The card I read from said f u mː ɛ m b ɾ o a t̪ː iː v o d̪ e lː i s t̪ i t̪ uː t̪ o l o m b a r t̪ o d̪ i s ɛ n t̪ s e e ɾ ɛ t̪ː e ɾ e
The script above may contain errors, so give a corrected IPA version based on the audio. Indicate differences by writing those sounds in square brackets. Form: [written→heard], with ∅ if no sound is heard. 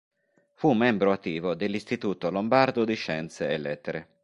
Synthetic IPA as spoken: f u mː ɛ m b ɾ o a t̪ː iː v o d̪ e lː i s t̪ i t̪ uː t̪ o l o m b a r [t̪→d̪] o d̪ i [s→ʃ] ɛ n t̪ s e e [ɾ→l] ɛ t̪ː e ɾ e